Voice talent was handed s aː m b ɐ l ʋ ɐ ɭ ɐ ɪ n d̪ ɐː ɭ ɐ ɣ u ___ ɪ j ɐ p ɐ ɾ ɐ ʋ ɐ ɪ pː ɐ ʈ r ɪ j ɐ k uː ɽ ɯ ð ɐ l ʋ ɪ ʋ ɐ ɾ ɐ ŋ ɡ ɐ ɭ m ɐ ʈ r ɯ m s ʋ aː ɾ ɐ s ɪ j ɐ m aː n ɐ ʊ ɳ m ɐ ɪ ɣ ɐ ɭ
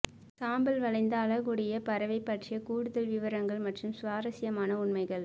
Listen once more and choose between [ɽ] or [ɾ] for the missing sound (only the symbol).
ɽ